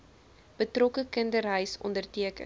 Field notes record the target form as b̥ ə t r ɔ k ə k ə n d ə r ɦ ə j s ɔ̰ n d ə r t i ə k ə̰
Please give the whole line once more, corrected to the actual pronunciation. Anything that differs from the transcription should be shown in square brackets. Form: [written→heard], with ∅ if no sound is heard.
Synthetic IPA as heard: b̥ ə t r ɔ k ə k ə n d ə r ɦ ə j s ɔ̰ n d ə r t i ə k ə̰